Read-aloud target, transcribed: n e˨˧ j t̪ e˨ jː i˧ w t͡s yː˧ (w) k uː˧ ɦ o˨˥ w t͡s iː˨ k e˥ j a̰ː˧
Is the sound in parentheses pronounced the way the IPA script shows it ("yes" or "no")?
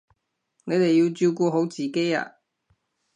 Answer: yes